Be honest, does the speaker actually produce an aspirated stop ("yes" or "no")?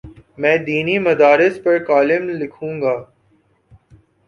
yes